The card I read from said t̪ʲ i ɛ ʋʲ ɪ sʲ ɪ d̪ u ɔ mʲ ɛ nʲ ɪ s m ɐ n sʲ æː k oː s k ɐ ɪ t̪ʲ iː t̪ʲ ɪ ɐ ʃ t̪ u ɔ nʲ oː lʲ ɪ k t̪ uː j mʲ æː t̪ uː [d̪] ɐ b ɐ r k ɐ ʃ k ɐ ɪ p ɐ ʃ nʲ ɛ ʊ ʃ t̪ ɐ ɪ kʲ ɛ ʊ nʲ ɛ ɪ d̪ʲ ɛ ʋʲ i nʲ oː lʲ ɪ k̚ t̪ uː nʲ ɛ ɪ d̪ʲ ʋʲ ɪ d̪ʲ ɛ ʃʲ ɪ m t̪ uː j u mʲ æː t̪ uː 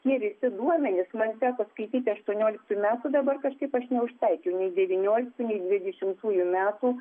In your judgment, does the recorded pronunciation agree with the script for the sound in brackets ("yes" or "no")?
yes